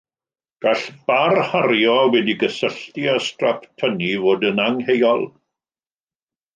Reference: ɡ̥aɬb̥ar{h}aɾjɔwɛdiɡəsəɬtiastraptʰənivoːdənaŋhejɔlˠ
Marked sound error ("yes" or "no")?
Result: no